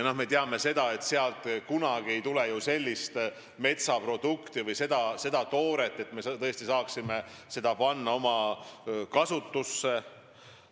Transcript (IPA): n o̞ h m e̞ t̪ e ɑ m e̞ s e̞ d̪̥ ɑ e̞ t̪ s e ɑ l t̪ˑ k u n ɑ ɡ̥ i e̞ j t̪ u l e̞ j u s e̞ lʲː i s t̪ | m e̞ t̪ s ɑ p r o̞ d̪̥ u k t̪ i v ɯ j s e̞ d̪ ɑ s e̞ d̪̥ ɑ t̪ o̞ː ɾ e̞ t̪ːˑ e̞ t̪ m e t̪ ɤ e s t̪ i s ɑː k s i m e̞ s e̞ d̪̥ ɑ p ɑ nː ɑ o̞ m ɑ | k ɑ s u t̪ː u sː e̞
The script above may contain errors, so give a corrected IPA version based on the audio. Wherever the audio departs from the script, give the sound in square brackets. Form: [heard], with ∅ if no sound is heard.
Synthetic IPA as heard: n o̞ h m e̞ t̪ e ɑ m e̞ s e̞ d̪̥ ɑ e̞ t̪ s e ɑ l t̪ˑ k u n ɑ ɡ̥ i e̞ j t̪ u l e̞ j u s e̞ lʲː i s t̪ | m e̞ t̪ s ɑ p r o̞ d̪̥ u k t̪ i v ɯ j s e̞ d̪ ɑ s e̞ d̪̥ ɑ t̪ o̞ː ɾ e̞ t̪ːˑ e̞ t̪ m e t̪ ɤ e s t̪ i s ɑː k s i m e̞ s e̞ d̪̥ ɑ p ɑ nː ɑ o̞ m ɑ | k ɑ s u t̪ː u sː e̞